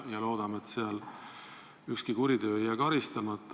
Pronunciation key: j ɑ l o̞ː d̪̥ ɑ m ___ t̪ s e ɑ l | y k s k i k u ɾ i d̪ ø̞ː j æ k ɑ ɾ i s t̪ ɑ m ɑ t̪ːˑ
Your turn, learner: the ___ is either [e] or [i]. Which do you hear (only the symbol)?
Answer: e